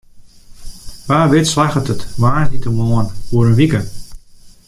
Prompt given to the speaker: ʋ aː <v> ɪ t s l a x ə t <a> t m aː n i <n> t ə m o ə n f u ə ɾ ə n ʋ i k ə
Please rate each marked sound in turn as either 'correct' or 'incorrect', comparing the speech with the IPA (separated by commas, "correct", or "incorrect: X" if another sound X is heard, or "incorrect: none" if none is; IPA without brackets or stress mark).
incorrect: ʋ, incorrect: ə, incorrect: none